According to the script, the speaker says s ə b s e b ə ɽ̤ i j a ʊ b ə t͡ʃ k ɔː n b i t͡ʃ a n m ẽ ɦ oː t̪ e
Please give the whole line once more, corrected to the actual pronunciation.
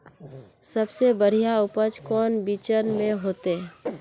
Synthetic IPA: s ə b s e b ə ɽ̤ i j a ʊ p ə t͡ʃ k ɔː n b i t͡ʃ ə n m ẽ ɦ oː t̪ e